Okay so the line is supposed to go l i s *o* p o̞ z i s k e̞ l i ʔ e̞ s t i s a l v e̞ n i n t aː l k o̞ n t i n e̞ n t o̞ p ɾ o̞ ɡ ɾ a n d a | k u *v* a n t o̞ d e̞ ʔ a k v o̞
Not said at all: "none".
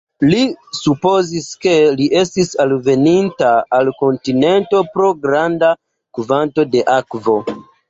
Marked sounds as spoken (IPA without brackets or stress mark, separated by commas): u, v